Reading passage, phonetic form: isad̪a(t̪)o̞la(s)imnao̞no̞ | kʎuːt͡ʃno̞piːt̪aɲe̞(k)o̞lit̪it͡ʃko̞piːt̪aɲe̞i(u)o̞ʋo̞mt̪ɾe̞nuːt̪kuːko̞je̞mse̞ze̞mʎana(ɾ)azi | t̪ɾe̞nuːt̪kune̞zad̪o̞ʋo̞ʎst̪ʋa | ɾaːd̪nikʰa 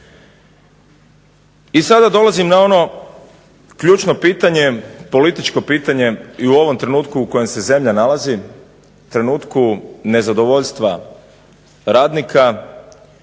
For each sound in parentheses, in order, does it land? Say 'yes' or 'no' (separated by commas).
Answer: no, no, no, yes, no